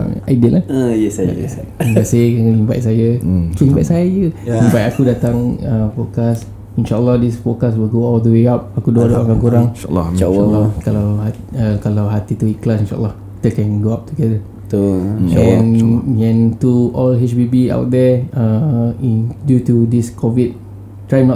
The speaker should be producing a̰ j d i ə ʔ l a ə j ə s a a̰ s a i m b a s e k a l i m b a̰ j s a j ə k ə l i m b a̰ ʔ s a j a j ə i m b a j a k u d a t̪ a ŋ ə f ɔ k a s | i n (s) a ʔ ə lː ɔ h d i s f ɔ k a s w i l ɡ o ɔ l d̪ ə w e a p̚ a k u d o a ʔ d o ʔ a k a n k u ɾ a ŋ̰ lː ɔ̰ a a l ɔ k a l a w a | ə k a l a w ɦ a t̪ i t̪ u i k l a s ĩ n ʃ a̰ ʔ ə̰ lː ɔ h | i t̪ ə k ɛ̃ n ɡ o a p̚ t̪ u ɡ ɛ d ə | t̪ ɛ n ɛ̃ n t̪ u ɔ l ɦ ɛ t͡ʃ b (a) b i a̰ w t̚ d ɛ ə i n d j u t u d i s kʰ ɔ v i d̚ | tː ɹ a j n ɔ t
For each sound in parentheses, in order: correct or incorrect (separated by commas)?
incorrect, incorrect